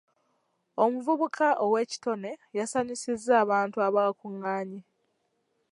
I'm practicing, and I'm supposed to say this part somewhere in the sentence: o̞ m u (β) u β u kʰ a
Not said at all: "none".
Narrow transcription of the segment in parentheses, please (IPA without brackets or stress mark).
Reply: v